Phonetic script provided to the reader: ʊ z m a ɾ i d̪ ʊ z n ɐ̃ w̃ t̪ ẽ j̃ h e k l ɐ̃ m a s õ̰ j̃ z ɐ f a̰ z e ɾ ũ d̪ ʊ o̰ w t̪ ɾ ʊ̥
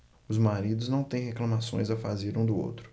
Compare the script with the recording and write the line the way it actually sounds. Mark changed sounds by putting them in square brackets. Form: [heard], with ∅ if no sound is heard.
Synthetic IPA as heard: ʊ z m a ɾ i d̪ ʊ z n ɐ̃ w̃ t̪ ẽ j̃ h e k l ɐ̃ m a s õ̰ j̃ z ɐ f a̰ z e ɾ ũ d̪ ʊ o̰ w t̪ ɾ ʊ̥